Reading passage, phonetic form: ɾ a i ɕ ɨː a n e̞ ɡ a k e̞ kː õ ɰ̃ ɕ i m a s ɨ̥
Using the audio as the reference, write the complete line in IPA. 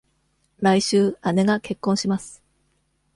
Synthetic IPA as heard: ɾ a i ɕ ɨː a n e̞ ɡ a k e̞ kː õ ɰ̃ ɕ i m a s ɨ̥